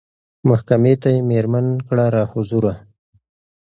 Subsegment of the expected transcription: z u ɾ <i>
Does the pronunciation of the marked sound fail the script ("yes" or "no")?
yes